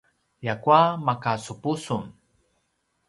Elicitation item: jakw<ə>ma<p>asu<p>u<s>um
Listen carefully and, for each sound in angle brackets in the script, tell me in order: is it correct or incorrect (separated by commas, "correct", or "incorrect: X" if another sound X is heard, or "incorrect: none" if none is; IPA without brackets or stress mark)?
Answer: incorrect: a, incorrect: k, correct, correct